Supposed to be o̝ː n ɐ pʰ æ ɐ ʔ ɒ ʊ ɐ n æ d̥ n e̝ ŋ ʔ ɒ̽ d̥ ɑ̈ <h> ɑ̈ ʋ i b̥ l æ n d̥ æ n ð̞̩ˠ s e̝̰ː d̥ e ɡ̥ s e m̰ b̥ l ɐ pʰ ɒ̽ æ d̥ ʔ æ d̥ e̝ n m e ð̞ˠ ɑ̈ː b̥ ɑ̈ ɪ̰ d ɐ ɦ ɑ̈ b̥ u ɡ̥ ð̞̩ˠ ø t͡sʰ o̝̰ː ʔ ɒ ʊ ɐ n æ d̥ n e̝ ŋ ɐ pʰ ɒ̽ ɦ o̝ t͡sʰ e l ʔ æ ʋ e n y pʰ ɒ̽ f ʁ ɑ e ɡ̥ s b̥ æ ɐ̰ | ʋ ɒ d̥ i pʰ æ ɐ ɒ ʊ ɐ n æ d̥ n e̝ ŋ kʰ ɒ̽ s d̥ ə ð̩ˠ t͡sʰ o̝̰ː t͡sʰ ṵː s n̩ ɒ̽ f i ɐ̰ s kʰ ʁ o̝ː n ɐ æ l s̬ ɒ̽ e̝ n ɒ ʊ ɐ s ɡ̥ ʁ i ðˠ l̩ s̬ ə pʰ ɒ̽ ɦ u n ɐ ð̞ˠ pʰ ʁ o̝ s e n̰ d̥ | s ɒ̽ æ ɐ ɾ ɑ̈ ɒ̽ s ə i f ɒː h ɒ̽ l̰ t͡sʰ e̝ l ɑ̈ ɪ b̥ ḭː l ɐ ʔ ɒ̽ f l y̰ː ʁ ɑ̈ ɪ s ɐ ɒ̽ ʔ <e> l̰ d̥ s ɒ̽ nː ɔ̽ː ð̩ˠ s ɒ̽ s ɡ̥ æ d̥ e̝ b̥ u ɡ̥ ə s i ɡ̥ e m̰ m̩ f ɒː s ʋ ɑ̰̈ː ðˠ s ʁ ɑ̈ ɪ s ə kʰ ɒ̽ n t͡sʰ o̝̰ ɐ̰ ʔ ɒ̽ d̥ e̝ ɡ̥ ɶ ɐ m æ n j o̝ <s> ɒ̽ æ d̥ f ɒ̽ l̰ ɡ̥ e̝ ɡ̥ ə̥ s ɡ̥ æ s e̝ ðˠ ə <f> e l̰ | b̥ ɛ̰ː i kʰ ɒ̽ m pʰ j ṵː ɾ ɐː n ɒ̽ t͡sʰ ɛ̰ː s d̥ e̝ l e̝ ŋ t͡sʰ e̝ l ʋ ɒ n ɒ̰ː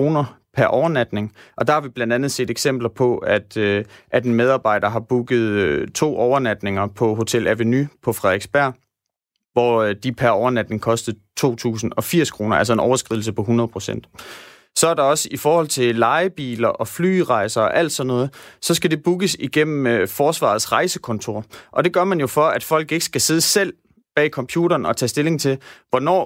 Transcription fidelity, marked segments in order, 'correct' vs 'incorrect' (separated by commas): correct, incorrect, incorrect, incorrect